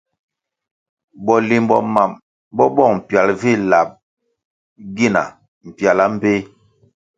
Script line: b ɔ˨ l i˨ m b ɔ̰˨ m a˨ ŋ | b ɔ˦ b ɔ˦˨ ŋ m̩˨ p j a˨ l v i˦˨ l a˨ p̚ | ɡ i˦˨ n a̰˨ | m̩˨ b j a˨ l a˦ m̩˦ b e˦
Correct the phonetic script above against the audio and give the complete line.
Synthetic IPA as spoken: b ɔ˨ l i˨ m b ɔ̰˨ m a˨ m | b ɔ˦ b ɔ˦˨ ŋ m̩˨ p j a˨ l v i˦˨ l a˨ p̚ | ɡ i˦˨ n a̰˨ | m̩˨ p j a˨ l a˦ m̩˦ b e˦